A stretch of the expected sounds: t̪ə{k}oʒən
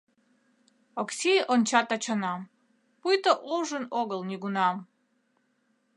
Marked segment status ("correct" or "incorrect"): incorrect